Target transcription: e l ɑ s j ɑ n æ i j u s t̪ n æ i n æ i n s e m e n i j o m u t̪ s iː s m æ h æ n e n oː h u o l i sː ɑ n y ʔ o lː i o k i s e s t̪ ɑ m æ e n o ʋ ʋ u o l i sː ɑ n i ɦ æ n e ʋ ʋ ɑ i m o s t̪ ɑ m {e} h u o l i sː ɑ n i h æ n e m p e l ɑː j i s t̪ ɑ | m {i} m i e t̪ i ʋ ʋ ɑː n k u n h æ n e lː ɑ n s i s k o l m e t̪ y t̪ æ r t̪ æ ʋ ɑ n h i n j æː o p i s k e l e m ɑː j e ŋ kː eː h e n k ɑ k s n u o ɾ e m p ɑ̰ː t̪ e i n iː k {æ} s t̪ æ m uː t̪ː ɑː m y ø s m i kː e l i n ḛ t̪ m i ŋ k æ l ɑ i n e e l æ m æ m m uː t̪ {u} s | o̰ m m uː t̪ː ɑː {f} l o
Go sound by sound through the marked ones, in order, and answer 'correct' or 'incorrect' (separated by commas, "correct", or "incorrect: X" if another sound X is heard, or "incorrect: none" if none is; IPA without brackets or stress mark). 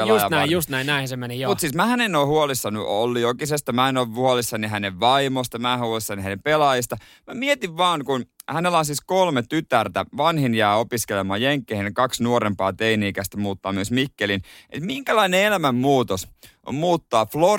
incorrect: æ, incorrect: æ, correct, incorrect: o, correct